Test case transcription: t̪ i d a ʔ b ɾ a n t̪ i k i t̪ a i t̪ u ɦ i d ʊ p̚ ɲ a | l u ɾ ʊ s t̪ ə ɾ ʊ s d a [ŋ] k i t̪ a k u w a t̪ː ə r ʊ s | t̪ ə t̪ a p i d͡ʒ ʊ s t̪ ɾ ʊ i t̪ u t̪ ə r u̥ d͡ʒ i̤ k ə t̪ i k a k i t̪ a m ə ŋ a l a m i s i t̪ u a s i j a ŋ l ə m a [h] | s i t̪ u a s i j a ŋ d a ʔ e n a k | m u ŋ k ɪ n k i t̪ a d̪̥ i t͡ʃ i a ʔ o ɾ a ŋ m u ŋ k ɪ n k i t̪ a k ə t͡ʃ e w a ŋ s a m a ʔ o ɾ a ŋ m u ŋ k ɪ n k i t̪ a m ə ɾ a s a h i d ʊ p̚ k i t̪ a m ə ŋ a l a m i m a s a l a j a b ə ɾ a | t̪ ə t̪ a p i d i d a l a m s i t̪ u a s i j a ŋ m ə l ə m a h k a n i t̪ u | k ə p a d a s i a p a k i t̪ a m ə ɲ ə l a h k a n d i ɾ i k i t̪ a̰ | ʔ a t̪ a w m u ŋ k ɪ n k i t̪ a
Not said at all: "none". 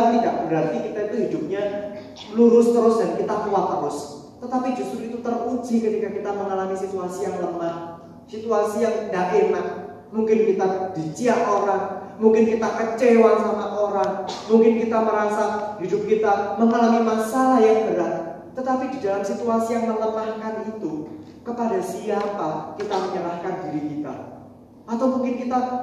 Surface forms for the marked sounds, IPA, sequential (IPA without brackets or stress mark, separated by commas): n, h